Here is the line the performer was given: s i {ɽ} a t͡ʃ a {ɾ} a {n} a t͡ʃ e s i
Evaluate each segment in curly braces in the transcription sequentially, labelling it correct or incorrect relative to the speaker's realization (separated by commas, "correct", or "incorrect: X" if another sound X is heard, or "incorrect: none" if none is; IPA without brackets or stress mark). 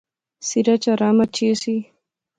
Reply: incorrect: ɾ, correct, incorrect: m